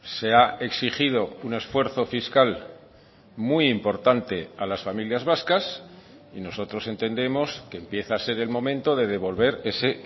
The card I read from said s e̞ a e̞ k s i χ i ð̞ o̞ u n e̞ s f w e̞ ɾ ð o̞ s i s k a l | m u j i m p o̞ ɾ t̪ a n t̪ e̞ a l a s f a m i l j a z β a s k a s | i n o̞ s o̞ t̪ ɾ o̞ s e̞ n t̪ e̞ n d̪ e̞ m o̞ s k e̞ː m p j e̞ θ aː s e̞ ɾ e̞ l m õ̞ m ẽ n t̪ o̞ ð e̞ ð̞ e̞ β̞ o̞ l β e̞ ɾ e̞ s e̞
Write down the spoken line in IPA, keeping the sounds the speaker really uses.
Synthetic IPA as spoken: s e̞ a e̞ k s i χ i ð̞ o̞ u n e̞ s f w e̞ ɾ θ o̞ f i s k a l | m u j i m p o̞ ɾ t̪ a n t̪ e̞ a l a s f a m i l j a z β a s k a s | i n o̞ s o̞ t̪ ɾ o̞ s e̞ n t̪ e̞ n d̪ e̞ m o̞ s k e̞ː m p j e̞ θ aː s e̞ ɾ e̞ l m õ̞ m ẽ n t̪ o̞ ð e̞ ð̞ e̞ β̞ o̞ l β e̞ ɾ e̞ s e̞